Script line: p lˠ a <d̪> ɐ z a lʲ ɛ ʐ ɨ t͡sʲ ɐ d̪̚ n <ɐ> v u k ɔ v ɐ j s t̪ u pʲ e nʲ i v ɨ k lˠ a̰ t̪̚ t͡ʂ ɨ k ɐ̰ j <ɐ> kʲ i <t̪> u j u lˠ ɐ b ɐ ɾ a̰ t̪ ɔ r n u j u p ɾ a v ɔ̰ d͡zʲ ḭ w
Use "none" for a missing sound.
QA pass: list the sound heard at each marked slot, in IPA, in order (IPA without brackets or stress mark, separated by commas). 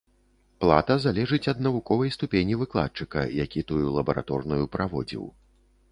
t̪, ɐ, a, t̪